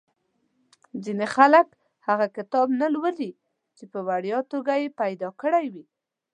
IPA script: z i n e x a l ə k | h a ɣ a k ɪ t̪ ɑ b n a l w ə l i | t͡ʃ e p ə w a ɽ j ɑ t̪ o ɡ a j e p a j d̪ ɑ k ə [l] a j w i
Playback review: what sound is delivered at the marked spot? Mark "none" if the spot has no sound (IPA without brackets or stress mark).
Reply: ɽ